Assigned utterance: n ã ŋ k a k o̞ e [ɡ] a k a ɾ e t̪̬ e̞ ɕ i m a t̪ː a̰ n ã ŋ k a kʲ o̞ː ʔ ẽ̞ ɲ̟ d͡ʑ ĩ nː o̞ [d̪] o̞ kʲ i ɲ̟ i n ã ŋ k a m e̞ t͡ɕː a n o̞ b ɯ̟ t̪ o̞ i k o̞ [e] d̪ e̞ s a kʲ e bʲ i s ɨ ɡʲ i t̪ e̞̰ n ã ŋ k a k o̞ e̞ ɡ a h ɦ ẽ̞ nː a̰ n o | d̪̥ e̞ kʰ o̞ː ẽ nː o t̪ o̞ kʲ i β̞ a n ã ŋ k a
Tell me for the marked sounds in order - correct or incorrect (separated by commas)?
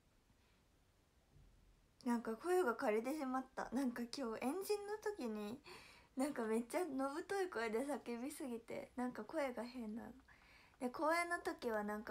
correct, incorrect, correct